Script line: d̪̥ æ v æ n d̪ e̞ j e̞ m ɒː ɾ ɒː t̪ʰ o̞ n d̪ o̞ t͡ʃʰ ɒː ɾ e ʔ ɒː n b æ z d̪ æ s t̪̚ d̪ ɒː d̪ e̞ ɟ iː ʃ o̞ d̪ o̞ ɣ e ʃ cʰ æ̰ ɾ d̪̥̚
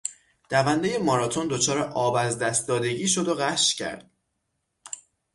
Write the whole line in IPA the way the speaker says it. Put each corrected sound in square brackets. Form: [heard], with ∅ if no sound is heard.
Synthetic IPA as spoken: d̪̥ æ v æ n d̪ e̞ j e̞ m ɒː ɾ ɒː t̪ʰ o̞ n d̪ o̞ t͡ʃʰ ɒː ɾ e ʔ ɒː [∅] b æ z d̪ æ s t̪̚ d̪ ɒː d̪ e̞ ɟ iː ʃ o̞ d̪ o̞ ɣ [æ] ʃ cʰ æ̰ ɾ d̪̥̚